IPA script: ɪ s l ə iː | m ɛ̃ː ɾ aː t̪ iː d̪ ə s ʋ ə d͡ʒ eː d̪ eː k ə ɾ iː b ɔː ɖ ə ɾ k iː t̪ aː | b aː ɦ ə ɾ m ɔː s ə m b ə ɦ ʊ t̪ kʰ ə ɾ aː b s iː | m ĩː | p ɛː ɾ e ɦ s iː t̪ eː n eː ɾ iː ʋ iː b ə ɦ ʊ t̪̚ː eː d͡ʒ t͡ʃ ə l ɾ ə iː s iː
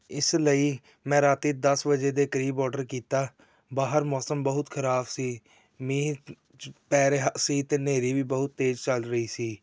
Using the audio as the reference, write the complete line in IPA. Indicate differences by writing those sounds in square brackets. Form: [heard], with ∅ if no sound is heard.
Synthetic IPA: ɪ s l ə iː | m ɛ̃ː ɾ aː t̪ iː d̪ ə s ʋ ə d͡ʒ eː d̪ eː k ə ɾ iː b ɔː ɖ ə ɾ k iː t̪ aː | b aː ɦ ə ɾ m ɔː s ə m b ə ɦ ʊ t̪ kʰ ə ɾ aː b s iː | m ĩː | p ɛː ɾ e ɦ s iː t̪ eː n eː ɾ iː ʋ iː b ə ɦ ʊ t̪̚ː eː d͡ʒ t͡ʃ ə l ɾ ə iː s iː